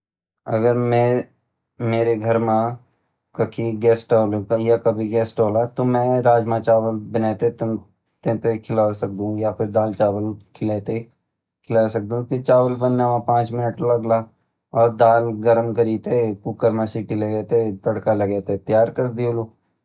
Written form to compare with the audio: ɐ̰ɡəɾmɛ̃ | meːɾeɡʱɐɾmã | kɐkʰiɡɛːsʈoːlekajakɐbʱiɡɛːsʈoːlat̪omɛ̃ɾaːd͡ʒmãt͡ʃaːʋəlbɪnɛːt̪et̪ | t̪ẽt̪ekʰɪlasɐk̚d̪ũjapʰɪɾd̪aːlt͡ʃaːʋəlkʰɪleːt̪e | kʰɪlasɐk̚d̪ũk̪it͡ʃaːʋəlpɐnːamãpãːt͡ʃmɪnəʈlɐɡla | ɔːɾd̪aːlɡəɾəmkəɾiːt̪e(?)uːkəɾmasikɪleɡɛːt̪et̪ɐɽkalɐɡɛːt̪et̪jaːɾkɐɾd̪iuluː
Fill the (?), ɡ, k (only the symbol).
k